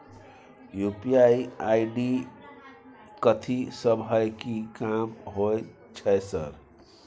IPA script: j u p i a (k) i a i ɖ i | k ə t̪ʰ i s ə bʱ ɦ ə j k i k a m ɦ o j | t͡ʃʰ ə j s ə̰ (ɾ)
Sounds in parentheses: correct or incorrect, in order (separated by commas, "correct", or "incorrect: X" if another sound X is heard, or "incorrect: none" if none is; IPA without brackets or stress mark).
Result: incorrect: none, correct